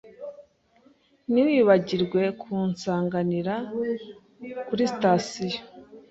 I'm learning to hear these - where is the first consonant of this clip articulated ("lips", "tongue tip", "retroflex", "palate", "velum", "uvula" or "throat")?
tongue tip